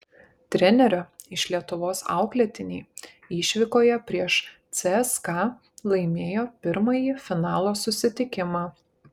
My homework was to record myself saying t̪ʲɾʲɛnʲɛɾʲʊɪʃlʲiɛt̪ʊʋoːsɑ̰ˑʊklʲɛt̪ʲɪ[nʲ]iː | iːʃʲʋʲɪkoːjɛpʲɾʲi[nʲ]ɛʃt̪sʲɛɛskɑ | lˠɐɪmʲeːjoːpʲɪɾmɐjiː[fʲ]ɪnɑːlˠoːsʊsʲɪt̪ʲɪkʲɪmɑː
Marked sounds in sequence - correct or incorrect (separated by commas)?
correct, incorrect, correct